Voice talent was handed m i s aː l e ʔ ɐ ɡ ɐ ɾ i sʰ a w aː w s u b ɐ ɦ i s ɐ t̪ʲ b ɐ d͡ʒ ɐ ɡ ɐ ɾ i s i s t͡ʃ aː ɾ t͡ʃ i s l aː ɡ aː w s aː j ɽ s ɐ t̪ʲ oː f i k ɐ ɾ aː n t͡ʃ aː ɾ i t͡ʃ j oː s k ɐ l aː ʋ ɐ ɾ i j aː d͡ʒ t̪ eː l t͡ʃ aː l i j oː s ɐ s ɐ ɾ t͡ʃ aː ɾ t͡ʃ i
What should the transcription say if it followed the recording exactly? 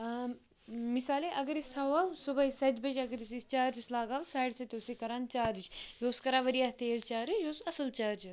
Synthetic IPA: m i s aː l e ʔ ɐ ɡ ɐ ɾ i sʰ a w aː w s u b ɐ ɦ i s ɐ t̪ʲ b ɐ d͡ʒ ɐ ɡ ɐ ɾ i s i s t͡ʃ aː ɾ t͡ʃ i s l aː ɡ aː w s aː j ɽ s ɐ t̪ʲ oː s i k ɐ ɾ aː n t͡ʃ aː ɾ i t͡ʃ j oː s k ɐ ɾ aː ʋ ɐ ɾ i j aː t̪ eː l t͡ʃ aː ɾ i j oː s ɐ s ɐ l t͡ʃ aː ɾ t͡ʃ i

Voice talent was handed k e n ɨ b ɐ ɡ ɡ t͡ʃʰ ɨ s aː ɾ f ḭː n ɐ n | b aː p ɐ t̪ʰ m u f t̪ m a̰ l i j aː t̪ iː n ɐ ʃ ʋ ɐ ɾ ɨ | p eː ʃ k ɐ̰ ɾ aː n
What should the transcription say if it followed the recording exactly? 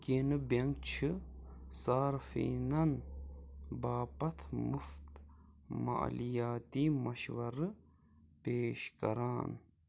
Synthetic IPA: k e n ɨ b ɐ ŋ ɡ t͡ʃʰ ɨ s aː ɾ f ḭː n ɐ n | b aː p ɐ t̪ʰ m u f t̪ m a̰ l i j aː t̪ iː m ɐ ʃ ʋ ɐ ɾ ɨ | p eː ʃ k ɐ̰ ɾ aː n

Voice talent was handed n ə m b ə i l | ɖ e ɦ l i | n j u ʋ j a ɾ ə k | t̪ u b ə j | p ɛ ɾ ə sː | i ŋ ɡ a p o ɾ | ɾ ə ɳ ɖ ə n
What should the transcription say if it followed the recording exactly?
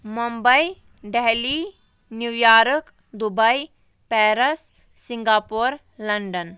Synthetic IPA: m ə m b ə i | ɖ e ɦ l i | n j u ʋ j a ɾ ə k | d̪ u b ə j | p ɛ ɾ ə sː | i ŋ ɡ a p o ɾ | l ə ɳ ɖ ə n

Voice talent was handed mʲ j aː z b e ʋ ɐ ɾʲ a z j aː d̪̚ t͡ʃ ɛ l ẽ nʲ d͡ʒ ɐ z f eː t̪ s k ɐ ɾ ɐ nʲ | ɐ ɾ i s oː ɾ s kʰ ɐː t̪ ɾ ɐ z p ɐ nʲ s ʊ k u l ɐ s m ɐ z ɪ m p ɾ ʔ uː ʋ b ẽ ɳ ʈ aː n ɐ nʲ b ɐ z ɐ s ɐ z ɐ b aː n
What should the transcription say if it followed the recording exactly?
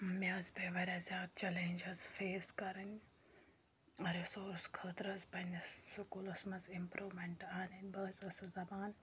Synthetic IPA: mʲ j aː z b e ʋ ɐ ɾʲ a z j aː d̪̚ t͡ʃ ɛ l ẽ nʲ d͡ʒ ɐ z f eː s k ɐ ɾ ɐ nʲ | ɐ ɾ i s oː ɾ s kʰ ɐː t̪ ɾ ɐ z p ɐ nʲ s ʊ k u l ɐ s m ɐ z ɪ m p ɾ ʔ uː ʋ m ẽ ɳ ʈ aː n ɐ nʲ b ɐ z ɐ s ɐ z ɐ b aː n

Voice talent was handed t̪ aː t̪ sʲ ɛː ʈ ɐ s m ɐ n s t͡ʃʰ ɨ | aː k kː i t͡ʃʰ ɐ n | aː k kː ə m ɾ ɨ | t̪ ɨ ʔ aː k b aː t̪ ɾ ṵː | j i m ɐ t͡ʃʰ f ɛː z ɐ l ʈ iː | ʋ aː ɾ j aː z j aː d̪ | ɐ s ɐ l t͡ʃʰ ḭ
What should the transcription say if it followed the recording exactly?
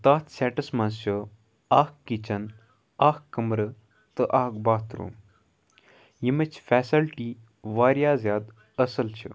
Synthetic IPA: t̪ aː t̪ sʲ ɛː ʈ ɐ s m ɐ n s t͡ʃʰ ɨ | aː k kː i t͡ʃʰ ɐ n | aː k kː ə m ɾ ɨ | t̪ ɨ ʔ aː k b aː t̪ ɾ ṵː | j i m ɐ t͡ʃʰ f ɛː s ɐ l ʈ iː | ʋ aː ɾ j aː z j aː d̪ | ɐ s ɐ l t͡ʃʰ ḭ

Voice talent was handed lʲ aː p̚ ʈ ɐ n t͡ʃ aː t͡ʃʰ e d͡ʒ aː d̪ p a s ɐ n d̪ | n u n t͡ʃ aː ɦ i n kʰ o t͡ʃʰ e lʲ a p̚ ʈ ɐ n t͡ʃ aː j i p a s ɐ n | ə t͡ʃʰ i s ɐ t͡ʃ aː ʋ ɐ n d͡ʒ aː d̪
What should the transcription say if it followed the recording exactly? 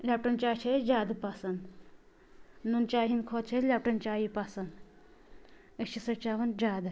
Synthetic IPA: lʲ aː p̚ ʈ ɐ n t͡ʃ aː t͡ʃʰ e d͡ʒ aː d̪ p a s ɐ n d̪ | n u n t͡ʃ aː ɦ i n kʰ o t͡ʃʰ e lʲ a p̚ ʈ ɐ n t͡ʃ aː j i p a s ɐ n | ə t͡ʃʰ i s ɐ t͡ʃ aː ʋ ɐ n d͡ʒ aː d̪

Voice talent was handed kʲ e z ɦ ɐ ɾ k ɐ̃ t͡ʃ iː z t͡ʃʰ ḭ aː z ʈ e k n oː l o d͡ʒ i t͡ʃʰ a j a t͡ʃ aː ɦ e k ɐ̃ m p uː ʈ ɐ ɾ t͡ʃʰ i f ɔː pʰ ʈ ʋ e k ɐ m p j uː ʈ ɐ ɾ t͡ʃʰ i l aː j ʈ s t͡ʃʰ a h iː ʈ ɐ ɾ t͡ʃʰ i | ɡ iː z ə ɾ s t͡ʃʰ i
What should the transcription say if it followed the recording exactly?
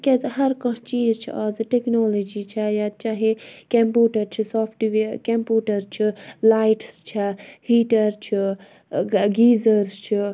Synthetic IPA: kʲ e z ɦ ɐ ɾ k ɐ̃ t͡ʃ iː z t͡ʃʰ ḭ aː z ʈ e k n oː l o d͡ʒ i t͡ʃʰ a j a t͡ʃ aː ɦ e k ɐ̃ m p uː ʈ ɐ ɾ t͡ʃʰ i s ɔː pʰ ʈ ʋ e k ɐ m p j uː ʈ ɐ ɾ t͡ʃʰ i l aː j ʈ s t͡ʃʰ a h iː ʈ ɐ ɾ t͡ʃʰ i | ɡ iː z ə ɾ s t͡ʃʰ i

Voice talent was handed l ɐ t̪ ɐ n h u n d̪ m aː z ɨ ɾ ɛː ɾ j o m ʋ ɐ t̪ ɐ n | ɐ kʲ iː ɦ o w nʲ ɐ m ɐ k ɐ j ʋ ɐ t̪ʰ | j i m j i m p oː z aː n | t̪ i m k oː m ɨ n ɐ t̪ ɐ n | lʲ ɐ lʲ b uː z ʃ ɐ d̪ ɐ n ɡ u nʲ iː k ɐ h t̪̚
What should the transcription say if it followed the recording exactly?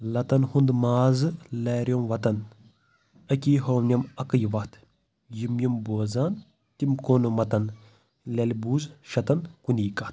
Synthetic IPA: l ɐ t̪ ɐ n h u n d̪ m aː z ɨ l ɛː ɾ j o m ʋ ɐ t̪ ɐ n | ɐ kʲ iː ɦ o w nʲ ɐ m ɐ k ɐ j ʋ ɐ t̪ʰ | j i m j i m b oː z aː n | t̪ i m k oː n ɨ m ɐ t̪ ɐ n | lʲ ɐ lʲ b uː z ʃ ɐ t̪ ɐ n k u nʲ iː k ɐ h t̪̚

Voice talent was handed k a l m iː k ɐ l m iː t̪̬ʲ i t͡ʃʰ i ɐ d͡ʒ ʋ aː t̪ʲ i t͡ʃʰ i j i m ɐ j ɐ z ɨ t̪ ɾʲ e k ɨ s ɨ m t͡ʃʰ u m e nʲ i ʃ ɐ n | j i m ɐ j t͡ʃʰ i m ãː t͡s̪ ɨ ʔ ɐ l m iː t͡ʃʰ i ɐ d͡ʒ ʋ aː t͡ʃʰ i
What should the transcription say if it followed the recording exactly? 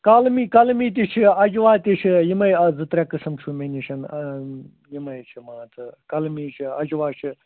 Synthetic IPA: k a l m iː k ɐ l m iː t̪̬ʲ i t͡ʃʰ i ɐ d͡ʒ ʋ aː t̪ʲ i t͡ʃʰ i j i m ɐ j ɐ z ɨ t̪ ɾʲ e k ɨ s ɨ m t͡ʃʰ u m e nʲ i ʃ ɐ n | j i m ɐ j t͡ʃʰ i m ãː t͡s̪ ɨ k ɐ l m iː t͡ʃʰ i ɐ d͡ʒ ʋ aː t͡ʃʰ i

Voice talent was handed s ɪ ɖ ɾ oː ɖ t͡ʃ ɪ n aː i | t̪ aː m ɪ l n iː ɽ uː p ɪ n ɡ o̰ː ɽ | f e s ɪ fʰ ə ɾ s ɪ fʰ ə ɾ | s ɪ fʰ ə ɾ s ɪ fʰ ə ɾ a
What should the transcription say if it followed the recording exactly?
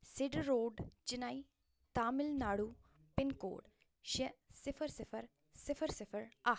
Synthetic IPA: s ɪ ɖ ɾ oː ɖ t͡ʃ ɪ n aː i | t̪ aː m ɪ l n aː ɽ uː p ɪ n k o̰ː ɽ | ʃ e s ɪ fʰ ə ɾ s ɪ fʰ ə ɾ | s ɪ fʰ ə ɾ s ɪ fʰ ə ɾ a

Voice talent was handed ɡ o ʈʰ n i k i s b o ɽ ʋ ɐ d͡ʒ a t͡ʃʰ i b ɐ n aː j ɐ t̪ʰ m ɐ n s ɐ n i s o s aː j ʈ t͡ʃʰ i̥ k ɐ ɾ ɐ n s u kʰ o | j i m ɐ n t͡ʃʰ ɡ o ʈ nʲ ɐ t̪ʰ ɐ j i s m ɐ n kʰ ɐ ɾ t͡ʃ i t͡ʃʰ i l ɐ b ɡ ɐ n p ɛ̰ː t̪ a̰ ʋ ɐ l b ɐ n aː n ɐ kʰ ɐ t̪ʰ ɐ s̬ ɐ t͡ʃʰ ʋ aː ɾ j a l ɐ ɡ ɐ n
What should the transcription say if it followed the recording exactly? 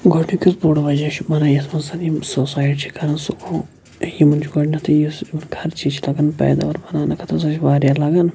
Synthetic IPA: ɡ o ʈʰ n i k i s b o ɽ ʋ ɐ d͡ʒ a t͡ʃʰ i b ɐ n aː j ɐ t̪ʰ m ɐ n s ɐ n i s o s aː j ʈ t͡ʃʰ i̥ k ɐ ɾ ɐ n s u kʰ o | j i m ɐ n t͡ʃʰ ɡ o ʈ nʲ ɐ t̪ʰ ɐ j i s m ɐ n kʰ ɐ ɾ t͡ʃ i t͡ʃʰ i l ɐ ɡ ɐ n p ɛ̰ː d̪ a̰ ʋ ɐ ɾ b ɐ n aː n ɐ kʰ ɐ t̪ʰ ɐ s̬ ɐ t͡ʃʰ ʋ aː ɾ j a l ɐ ɡ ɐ n

